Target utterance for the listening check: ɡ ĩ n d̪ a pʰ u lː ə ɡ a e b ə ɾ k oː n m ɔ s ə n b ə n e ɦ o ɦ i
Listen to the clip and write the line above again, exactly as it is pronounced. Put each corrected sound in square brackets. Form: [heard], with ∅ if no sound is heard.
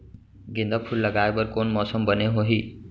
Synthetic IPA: ɡ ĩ n d̪ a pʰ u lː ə ɡ a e b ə ɾ k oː n m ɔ s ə [m] b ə n e ɦ o ɦ i